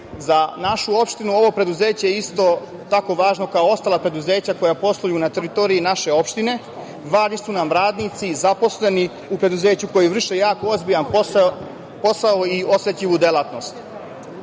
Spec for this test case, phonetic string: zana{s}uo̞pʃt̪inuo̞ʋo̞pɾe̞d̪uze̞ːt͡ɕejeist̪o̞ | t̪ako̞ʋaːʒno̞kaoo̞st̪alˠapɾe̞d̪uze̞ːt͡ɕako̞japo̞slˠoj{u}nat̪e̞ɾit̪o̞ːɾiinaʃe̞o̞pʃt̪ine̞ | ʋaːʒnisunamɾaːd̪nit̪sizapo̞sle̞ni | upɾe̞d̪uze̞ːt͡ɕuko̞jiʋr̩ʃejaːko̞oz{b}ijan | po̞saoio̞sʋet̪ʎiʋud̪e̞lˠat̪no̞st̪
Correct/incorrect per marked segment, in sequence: incorrect: ʃ, correct, correct

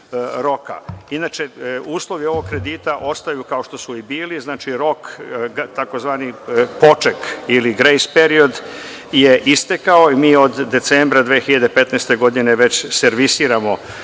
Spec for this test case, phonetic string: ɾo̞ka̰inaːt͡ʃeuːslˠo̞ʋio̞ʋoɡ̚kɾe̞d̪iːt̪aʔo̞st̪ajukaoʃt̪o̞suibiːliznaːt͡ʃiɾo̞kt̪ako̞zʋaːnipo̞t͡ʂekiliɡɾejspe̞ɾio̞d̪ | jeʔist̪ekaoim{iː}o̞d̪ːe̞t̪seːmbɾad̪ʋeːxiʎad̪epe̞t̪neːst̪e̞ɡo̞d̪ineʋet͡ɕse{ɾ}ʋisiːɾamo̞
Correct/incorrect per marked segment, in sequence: correct, correct

